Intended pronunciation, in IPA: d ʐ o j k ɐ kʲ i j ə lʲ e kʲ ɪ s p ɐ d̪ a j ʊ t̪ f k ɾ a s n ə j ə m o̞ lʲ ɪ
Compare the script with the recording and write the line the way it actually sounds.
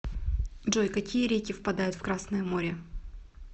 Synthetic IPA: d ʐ o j k ɐ kʲ i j ə ɾʲ e kʲ ɪ f p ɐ d̪ a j ʊ t̪ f k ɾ a s n ə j ə m o̞ ɾʲ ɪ